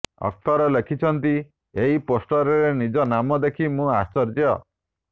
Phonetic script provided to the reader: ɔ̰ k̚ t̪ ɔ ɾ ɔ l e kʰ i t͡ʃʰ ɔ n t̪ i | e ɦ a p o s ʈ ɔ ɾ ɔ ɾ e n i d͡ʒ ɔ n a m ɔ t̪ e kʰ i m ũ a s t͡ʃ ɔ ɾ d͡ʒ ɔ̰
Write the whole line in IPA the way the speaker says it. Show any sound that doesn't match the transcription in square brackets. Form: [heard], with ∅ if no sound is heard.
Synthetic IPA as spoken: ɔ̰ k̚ t̪ ɔ ɾ ɔ l e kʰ i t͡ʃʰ ɔ n t̪ i | e ɦ [i] p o s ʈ ɔ ɾ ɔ ɾ e n i d͡ʒ ɔ n a m ɔ [d̪] e kʰ i m ũ a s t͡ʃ ɔ ɾ d͡ʒ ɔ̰